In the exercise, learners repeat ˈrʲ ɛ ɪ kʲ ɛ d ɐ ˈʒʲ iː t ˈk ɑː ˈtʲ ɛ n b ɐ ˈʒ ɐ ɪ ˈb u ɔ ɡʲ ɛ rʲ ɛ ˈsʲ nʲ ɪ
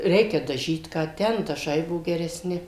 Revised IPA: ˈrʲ ɛ ɪ kʲ ɛ d ɐ ˈʒʲ iː t ˈk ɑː ˈtʲ ɛ n d ɐ ˈʒ ɐ ɪ ˈb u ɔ ɡʲ ɛ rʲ ɛ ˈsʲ nʲ ɪ